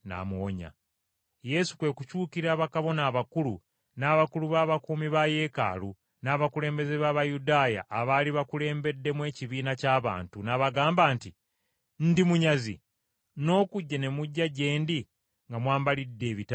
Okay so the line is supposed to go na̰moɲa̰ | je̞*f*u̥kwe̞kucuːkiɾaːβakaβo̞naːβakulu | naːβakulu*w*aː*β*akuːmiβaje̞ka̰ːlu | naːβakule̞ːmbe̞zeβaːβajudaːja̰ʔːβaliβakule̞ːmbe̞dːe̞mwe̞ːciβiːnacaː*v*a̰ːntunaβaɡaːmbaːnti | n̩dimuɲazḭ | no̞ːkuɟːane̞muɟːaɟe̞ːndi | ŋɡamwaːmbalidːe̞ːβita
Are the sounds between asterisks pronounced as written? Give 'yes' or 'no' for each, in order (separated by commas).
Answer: no, no, yes, no